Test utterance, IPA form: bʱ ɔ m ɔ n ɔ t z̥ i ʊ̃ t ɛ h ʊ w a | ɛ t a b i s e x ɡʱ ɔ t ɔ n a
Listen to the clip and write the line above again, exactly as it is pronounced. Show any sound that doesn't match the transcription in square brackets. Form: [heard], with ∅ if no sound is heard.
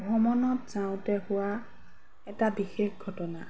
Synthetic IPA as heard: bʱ ɔ m ɔ n ɔ t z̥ [a] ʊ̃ t ɛ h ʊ w a | ɛ t a b i [x] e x ɡʱ ɔ t ɔ n a